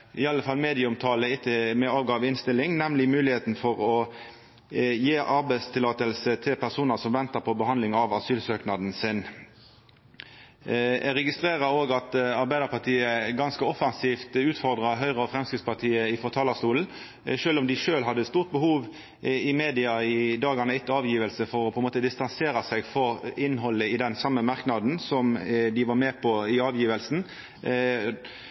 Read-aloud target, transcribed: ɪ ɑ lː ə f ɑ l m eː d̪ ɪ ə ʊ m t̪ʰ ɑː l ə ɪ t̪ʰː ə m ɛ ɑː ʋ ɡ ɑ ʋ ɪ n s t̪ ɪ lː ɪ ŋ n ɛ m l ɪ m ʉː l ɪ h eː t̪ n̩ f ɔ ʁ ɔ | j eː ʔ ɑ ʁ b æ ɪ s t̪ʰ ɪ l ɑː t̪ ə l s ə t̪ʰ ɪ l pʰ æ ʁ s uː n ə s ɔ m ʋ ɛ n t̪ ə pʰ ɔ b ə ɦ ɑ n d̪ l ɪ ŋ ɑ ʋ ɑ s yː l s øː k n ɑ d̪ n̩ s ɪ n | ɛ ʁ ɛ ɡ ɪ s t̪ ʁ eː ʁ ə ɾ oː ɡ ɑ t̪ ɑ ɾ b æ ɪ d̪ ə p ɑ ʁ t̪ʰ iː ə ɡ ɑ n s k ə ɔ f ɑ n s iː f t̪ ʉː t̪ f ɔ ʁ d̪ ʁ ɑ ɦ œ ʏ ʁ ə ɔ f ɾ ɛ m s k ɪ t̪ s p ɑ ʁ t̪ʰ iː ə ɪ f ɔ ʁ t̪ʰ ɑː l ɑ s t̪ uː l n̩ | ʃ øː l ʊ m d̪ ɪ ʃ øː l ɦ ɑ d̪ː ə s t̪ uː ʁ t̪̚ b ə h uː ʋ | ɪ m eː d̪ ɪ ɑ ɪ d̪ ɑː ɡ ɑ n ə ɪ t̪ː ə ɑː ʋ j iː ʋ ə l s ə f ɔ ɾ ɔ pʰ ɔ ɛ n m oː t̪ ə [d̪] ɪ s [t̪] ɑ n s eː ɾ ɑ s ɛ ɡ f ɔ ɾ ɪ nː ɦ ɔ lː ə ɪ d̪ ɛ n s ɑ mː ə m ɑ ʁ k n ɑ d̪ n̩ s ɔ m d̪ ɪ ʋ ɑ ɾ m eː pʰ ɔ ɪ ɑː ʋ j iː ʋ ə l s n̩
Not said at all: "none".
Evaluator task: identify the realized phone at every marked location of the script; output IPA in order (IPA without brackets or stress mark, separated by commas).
d̪, t̪